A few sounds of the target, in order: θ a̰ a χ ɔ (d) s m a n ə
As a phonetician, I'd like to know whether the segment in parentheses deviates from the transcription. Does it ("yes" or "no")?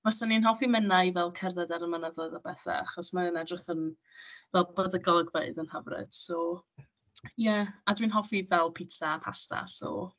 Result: yes